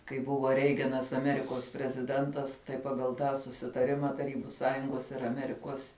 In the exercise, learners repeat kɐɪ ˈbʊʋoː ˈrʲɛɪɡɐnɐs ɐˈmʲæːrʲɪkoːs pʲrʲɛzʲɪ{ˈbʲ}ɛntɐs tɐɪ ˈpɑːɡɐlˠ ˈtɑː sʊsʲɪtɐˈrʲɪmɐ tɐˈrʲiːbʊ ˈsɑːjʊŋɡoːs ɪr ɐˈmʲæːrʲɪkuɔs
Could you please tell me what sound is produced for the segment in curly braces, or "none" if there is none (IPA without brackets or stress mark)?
dʲ